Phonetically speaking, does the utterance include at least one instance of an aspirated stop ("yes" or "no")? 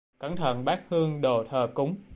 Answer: yes